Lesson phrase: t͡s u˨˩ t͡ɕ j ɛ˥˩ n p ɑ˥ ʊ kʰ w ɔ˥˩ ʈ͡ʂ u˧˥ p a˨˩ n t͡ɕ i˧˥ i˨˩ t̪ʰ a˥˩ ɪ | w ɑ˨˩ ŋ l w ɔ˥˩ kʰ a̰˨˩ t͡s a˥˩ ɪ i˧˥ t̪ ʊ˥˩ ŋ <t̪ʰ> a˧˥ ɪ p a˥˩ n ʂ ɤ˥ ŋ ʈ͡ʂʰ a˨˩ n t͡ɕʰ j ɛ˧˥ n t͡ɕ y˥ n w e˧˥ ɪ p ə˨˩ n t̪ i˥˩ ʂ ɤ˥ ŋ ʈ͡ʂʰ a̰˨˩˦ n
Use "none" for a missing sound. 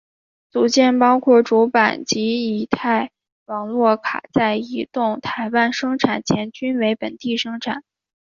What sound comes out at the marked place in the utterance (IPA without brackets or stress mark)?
t̪ʰ